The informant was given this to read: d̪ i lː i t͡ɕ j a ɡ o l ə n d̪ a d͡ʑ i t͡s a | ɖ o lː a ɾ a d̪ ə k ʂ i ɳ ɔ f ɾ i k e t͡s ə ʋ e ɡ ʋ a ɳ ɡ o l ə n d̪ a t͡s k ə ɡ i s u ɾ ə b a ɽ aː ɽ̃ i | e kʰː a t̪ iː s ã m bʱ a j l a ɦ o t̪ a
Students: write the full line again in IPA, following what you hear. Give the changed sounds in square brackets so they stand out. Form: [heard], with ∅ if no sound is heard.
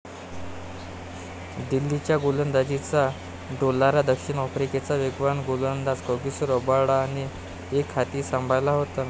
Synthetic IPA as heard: d̪ i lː i t͡ɕ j a ɡ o l ə n d̪ a d͡ʑ i t͡s a | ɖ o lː a ɾ a d̪ ə k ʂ i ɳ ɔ f ɾ i k e t͡s [a] ʋ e ɡ ʋ a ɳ ɡ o l ə n d̪ a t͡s k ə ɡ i s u ɾ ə b a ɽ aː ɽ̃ i | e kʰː a t̪ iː s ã m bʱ a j l a ɦ o t̪ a